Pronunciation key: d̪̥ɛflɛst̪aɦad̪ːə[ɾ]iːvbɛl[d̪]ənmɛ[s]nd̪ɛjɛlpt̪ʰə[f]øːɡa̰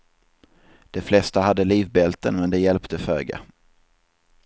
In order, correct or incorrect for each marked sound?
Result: incorrect: l, incorrect: t̪, incorrect: none, correct

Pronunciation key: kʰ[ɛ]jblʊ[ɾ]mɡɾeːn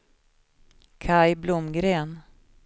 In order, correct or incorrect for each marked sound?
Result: incorrect: a, incorrect: none

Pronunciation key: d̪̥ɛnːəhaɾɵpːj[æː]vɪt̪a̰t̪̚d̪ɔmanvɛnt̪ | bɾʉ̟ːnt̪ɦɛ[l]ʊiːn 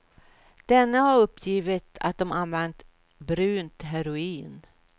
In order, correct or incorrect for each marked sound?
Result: incorrect: iː, incorrect: ɾ

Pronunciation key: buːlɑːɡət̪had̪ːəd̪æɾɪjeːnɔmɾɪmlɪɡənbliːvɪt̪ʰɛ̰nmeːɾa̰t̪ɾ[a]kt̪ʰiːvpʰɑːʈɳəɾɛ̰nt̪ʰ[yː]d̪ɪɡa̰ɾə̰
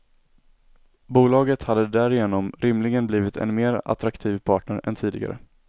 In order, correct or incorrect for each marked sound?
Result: correct, incorrect: iː

